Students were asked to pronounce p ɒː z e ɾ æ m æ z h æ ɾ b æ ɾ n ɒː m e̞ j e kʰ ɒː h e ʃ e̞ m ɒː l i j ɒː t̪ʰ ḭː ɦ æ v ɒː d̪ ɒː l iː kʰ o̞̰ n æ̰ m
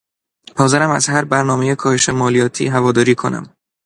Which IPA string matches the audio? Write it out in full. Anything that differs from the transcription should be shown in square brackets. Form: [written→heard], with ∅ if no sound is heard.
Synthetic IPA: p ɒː z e ɾ æ m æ z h æ ɾ b æ ɾ n ɒː m e̞ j e kʰ ɒː h e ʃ e̞ m ɒː l i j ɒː t̪ʰ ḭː ɦ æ v ɒː d̪ ɒː [l→ɾ] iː kʰ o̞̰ n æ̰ m